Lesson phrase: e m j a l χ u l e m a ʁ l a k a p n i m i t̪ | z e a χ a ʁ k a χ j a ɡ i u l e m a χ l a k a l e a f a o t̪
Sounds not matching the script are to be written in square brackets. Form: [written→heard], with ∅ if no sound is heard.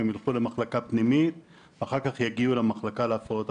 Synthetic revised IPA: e m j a l χ u l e m a [ʁ→χ] l a k a p n i m i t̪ | [z→v] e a χ a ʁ k a χ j a ɡ i u l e m a χ l a k a l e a f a o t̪